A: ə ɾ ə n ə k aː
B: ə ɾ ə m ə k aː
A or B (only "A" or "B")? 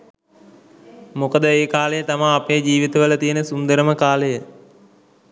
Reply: B